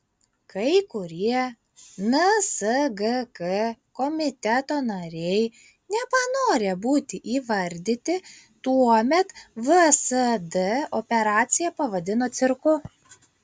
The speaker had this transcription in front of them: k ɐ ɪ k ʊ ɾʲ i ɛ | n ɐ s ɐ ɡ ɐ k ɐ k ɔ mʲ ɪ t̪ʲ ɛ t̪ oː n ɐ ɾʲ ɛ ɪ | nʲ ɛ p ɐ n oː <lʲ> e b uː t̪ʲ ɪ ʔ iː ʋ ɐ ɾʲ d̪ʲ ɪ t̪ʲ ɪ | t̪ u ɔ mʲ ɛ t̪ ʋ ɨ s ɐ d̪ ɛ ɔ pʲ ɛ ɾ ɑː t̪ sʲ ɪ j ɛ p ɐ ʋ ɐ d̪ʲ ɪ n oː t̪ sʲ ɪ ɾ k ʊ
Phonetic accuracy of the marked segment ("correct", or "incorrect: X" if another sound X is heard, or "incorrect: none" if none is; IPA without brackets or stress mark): incorrect: ɾʲ